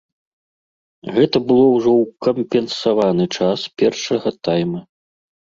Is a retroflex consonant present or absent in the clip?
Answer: present